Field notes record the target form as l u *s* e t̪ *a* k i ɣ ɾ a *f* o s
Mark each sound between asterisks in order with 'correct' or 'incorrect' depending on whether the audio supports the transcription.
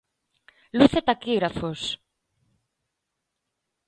incorrect: θ, correct, correct

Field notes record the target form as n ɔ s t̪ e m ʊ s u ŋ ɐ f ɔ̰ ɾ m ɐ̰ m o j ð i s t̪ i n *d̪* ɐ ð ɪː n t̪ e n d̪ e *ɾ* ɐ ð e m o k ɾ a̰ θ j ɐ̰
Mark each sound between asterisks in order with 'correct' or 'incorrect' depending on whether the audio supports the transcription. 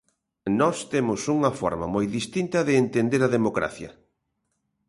incorrect: t̪, correct

